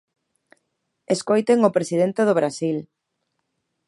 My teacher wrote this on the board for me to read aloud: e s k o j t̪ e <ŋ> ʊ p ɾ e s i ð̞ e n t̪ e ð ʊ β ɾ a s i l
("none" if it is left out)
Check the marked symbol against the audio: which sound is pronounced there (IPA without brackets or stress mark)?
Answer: ŋ